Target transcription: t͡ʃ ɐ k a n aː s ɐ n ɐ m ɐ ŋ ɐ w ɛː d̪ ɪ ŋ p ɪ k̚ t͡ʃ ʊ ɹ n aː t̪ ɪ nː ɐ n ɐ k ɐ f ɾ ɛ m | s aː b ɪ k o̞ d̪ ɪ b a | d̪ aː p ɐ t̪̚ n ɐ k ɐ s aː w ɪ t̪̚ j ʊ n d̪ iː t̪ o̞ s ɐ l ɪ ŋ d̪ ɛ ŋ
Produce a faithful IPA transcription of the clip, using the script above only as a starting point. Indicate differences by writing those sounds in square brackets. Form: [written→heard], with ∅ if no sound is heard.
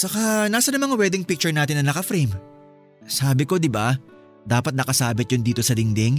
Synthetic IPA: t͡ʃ ɐ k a n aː s ɐ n ɐ m ɐ ŋ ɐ w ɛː d̪ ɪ ŋ p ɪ k̚ t͡ʃ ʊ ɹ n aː t̪ ɪ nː ɐ n ɐ k ɐ f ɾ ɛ m | s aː b ɪ k o̞ d̪ ɪ b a | d̪ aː p ɐ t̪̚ n ɐ k ɐ s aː [w→b] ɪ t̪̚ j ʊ n d̪ iː t̪ o̞ s ɐ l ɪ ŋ d̪ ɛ ŋ